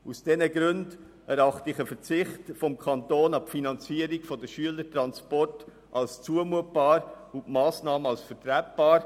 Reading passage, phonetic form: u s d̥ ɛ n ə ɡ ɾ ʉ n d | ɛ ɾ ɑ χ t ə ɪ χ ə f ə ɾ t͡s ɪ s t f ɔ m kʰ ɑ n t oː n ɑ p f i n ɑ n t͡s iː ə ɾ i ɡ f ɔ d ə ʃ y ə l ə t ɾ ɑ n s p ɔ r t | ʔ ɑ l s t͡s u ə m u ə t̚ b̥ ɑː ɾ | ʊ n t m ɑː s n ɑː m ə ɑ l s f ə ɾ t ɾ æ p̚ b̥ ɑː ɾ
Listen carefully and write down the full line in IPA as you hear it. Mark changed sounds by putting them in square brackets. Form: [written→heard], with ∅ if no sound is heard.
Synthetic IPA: u s d̥ ɛ n ə ɡ ɾ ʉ n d | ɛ ɾ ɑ χ t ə ɪ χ ə f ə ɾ t͡s ɪ [s→χ] t f ɔ m kʰ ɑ n t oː n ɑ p f i n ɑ n t͡s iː ə ɾ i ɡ f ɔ d ə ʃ y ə l ə t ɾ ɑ n s p ɔ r t | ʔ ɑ l s t͡s u ə m u ə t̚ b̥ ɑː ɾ | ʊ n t m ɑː s n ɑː m ə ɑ l s f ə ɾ t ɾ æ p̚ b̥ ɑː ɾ

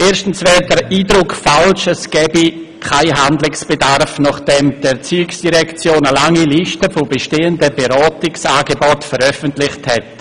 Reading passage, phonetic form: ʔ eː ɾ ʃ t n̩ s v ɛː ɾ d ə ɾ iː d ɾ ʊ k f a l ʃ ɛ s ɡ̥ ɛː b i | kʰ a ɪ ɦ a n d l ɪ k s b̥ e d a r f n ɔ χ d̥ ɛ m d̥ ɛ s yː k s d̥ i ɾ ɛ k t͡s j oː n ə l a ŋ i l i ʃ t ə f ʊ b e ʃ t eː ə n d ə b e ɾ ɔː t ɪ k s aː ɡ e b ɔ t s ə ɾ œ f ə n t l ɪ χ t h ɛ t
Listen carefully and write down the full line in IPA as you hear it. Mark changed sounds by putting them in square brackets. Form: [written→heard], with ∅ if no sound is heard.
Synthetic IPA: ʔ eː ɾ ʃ t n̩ s v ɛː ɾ d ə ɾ iː d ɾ ʊ k f a l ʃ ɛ s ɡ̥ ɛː b i | kʰ a ɪ ɦ a n d l ɪ k s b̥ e d a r f n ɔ χ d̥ ɛ m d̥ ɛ [s→t͡s] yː k s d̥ i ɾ ɛ k t͡s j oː n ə l a ŋ i l i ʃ t ə f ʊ b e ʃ t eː ə n d ə b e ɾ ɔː t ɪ k s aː ɡ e b ɔ t [s→f] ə ɾ œ f ə n t l ɪ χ t h ɛ t

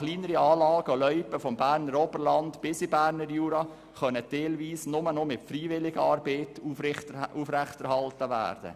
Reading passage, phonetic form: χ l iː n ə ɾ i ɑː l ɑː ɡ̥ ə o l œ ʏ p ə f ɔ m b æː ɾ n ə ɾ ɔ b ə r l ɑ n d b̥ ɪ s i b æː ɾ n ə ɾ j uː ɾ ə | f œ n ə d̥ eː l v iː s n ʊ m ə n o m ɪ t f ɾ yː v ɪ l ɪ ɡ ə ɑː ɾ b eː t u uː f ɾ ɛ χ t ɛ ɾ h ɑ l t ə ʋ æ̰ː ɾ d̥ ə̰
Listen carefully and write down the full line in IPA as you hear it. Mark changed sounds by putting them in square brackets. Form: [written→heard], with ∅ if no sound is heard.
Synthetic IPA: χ l iː n ə ɾ i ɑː l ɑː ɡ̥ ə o l œ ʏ p ə f ɔ m b æː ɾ n ə ɾ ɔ b ə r l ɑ n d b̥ ɪ s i b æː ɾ n ə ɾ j uː ɾ [ə→ɑ] | [f→χ] œ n ə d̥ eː l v iː s n ʊ m ə n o m ɪ t f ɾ [yː→iː] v ɪ l ɪ ɡ ə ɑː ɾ b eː t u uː f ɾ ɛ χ t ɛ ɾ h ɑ l t ə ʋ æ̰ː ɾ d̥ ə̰

